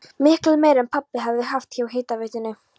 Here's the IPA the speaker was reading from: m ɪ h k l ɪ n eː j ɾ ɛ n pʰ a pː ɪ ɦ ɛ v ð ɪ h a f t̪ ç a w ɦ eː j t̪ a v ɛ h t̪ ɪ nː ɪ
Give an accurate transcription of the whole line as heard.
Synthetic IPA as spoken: m ɪ h k l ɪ m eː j ɾ ɛ n pʰ a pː ɪ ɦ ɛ v ð ɪ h a f t̪ ç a w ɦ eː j t̪ a v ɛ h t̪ ɪ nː ɪ

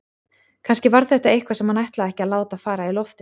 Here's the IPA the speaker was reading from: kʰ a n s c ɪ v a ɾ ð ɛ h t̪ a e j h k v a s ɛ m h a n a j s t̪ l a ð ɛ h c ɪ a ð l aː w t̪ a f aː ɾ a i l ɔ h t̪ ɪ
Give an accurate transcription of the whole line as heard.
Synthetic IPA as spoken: kʰ a n s c ɪ v a ɾ θ ɛ h t̪ a e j h k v a s ɛ m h a n a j h t̪ l a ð ɛ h c ɪ a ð l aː w t̪ a f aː ɾ a i l ɔ f t̪ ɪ

